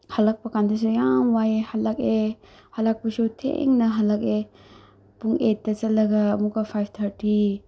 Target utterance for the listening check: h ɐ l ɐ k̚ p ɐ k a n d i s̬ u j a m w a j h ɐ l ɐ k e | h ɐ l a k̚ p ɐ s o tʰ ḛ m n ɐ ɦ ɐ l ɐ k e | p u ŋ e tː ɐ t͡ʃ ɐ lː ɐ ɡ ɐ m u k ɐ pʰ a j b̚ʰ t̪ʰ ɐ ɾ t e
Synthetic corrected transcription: h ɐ l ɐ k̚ p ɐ k a n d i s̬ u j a m w a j h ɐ l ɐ k e | h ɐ l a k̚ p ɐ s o tʰ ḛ ŋ n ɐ ɦ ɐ l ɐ k e | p u ŋ e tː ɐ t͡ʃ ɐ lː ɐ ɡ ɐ m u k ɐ pʰ a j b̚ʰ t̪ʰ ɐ ɾ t i